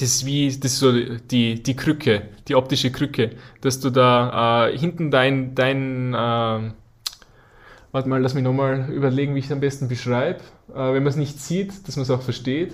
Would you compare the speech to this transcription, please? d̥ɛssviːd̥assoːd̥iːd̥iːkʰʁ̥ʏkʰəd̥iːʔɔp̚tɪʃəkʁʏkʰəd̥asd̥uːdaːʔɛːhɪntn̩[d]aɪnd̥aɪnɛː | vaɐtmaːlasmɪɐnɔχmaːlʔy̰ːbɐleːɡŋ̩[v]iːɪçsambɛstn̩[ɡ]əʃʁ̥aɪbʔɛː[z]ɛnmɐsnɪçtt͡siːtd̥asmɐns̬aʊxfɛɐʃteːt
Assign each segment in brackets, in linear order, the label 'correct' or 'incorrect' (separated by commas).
correct, correct, incorrect, incorrect